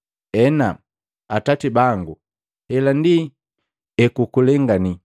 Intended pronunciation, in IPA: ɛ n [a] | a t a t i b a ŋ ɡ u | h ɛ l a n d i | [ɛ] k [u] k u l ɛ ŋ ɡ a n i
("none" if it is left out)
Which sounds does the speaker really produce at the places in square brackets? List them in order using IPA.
a, ɛ, u

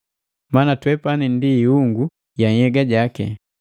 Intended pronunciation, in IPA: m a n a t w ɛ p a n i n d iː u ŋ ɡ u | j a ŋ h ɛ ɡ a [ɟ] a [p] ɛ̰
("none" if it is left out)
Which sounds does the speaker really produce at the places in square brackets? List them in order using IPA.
ɟ, k

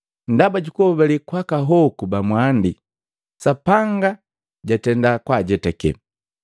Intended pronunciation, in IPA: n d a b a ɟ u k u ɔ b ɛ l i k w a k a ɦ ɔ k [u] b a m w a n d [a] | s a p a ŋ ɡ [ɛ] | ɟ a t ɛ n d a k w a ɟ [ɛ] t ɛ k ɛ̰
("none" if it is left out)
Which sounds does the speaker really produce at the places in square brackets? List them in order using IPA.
u, i, a, ɛ

